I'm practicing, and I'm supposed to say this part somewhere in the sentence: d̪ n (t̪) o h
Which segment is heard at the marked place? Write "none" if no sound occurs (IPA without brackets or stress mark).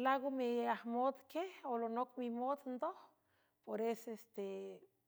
d̪